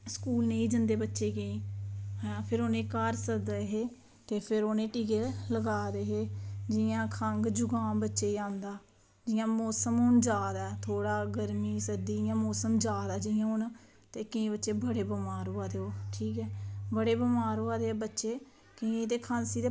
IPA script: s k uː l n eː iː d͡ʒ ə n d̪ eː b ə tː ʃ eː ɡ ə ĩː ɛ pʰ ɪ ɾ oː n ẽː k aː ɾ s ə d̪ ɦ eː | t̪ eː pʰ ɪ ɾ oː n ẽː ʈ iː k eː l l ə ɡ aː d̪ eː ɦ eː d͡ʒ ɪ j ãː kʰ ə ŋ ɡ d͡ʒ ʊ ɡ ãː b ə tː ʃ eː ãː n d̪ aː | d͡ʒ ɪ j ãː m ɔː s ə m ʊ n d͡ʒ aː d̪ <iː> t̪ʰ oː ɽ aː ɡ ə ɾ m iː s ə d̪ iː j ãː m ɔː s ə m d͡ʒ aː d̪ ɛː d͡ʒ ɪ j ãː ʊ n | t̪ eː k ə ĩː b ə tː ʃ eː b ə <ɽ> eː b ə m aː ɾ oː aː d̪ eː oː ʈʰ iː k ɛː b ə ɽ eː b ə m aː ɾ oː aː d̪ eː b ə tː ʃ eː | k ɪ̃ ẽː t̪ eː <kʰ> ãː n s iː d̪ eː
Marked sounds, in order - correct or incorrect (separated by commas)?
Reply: incorrect, correct, correct